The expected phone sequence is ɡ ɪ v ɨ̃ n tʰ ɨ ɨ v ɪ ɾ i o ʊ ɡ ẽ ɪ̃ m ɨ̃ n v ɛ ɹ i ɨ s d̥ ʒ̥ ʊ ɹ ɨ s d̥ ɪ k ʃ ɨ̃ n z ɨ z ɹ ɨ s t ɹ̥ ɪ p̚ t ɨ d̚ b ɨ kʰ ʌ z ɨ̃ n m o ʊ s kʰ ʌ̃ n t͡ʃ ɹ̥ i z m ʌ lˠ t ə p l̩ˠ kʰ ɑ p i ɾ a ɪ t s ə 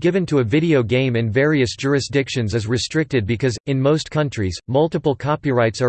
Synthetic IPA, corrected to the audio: ɡ ɪ v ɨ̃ n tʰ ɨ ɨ v ɪ ɾ i o ʊ ɡ ẽ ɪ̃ m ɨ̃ n v ɛ ɹ i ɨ s d̥ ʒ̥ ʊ ɹ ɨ s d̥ ɪ k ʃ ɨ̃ n z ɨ z ɹ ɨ s t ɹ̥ ɪ k̚ t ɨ d̚ b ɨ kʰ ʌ z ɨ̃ n m o ʊ s kʰ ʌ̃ n t͡ʃ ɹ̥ i z m ʌ lˠ t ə p l̩ˠ kʰ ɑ p i ɹ a ɪ t s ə